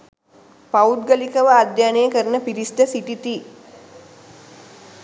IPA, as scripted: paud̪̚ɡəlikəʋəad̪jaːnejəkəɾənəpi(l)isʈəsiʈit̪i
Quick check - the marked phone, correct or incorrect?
incorrect: ɾ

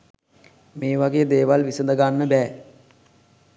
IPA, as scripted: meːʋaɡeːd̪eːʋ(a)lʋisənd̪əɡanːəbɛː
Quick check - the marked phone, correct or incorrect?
correct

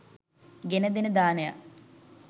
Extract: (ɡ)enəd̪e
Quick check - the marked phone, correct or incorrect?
correct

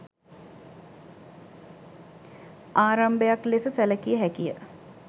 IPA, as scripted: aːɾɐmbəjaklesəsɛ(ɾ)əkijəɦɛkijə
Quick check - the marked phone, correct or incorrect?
incorrect: l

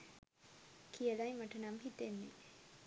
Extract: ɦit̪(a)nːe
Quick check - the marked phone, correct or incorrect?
incorrect: e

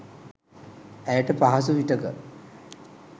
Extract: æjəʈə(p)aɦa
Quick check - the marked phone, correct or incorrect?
correct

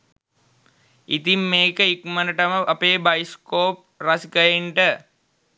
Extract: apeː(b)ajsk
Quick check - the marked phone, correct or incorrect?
correct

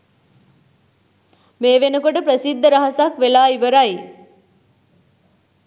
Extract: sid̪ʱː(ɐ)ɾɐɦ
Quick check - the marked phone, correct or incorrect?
incorrect: ə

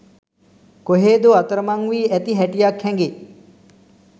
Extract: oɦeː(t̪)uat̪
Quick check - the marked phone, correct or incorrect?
incorrect: d̪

